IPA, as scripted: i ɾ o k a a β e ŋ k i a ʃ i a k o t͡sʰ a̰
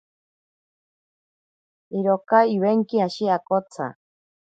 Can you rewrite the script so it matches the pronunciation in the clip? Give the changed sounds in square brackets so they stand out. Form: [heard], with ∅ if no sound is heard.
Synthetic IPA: i ɾ o k a [i] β e ŋ k i a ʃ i a k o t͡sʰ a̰

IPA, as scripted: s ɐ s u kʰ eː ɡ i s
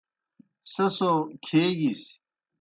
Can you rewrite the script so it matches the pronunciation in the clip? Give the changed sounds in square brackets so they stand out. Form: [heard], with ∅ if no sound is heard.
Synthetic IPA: s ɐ s [o] kʰ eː ɡ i s

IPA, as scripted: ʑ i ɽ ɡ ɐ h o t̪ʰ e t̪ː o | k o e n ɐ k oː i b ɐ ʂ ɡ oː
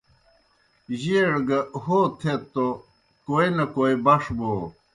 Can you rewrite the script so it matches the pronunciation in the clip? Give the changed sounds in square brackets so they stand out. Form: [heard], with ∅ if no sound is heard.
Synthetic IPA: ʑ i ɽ ɡ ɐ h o t̪ʰ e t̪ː o | k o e n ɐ k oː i b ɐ ʂ [b] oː

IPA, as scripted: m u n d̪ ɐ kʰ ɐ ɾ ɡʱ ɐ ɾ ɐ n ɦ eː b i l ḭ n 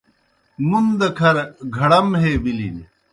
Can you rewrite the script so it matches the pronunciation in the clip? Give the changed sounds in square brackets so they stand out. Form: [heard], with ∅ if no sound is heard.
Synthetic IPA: m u n d̪ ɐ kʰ ɐ ɾ ɡʱ ɐ [ɽ] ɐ [m] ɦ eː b i l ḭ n

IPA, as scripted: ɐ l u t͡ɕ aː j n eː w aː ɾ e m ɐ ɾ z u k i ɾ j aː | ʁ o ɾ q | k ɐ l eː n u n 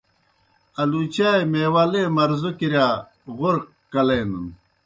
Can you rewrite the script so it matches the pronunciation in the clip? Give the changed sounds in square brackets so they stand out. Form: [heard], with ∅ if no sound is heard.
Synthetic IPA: ɐ l u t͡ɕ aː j [m] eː w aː [l] e m ɐ ɾ z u k i ɾ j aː | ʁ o ɾ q | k ɐ l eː n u n

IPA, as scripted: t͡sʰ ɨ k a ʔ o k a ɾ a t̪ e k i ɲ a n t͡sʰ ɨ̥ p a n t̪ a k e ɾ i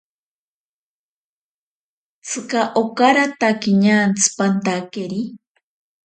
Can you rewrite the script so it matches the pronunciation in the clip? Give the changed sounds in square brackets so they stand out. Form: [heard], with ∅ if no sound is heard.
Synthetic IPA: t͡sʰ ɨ k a ʔ o k a ɾ a t̪ [a] k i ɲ a n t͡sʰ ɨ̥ p a n t̪ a k e ɾ i

